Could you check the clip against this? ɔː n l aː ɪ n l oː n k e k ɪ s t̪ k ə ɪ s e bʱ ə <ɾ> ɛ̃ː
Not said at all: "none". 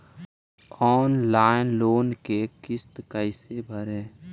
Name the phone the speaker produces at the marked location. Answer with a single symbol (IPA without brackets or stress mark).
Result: ɾ